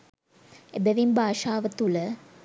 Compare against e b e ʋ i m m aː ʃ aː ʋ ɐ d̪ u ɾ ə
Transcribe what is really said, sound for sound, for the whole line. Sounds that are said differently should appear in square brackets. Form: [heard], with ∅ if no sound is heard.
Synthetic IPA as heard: e b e ʋ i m [b] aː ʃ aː ʋ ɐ [t̪] u [l] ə